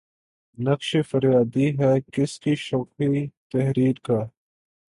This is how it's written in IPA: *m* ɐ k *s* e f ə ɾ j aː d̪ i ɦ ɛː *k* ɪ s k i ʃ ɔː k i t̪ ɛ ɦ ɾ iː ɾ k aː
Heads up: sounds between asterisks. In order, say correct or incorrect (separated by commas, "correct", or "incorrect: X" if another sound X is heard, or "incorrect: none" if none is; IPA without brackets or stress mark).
incorrect: n, incorrect: ʃ, correct